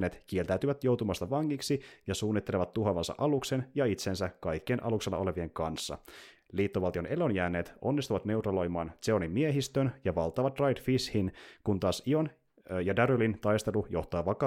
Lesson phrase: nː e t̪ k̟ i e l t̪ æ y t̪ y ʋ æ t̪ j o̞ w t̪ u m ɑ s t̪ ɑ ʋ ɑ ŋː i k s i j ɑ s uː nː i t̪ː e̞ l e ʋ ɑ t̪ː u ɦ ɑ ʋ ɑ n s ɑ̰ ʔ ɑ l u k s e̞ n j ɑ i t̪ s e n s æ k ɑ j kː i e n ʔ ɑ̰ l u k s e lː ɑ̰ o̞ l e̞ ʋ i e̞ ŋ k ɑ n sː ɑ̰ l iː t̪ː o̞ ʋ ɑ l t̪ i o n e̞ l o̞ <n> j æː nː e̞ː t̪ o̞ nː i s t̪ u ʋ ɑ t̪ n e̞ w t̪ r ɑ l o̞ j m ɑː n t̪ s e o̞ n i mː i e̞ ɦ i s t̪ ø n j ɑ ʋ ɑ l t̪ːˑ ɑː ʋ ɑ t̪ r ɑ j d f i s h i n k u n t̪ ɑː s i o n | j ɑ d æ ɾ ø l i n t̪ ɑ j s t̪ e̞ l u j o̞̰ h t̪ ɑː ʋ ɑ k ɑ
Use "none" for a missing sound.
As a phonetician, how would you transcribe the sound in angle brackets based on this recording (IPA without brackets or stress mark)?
n